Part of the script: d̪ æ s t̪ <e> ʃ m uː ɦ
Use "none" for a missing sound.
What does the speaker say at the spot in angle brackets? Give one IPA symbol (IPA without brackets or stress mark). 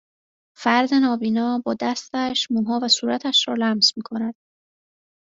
æ